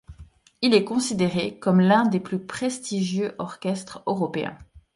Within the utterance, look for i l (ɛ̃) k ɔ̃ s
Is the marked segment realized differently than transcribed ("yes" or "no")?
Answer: yes